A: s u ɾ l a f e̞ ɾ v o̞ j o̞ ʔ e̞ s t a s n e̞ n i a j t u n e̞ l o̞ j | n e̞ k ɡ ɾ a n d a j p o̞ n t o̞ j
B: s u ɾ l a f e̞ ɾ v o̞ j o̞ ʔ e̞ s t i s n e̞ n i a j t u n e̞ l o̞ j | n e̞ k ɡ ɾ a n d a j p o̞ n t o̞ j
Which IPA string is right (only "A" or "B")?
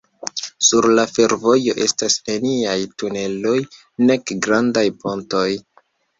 A